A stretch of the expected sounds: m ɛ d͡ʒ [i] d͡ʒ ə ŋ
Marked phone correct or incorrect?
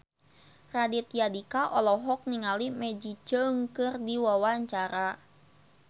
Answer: correct